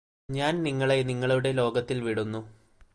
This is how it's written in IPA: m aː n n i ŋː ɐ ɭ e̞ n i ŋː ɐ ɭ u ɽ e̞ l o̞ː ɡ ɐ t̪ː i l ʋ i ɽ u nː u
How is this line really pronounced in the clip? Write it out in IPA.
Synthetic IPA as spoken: ɲ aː n n i ŋː ɐ ɭ e̞ n i ŋː ɐ ɭ u ɽ e̞ l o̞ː ɡ ɐ t̪ː i l ʋ i ɽ u nː u